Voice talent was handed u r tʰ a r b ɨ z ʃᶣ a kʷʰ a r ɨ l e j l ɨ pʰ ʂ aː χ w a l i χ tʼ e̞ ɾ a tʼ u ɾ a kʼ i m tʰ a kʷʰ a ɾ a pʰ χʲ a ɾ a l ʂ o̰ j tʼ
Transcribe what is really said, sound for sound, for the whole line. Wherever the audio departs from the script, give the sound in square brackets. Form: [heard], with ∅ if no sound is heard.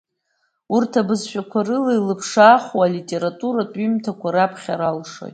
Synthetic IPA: u r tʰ a [∅] b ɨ z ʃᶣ a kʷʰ a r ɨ l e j l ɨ pʰ ʂ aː χ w a l i [∅] tʼ e̞ ɾ a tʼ u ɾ a [tʼ] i m tʰ a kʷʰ a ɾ a pʰ χʲ a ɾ a l ʂ o̰ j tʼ